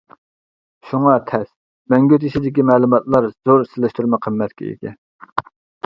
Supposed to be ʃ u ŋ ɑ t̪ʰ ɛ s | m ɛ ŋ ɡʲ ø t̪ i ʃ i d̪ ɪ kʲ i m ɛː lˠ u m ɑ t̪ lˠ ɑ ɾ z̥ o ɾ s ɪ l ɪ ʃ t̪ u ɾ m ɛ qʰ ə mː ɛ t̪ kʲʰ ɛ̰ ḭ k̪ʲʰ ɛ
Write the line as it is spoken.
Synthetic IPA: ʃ u ŋ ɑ t̪ʰ ɛ s | m ɛ ŋ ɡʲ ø t̪ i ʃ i d̪ ɪ kʲ i m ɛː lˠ u m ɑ t̪ lˠ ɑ ɾ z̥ o ɾ s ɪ l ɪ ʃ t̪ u ɾ m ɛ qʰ ə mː ɛ t̪ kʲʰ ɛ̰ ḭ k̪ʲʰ ɛ